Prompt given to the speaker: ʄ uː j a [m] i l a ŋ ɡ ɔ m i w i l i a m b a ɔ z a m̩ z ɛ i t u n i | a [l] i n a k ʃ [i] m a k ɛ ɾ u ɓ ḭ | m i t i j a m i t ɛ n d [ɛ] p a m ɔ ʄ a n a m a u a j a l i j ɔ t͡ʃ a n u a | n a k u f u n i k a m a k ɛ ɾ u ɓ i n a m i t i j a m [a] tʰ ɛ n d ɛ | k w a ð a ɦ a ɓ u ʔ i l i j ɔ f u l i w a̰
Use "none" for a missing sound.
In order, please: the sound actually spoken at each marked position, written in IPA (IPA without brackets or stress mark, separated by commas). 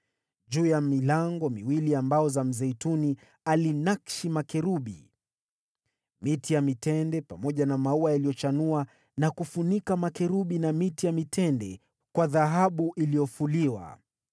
m, l, i, ɛ, i